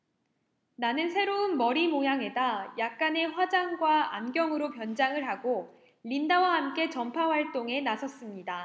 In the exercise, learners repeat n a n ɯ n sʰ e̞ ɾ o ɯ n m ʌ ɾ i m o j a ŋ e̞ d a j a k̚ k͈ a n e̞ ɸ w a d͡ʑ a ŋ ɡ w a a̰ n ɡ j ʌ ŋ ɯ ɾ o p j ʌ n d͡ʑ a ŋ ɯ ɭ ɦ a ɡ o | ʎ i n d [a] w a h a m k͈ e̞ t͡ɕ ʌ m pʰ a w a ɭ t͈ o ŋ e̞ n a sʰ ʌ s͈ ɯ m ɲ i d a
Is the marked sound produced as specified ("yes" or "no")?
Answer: yes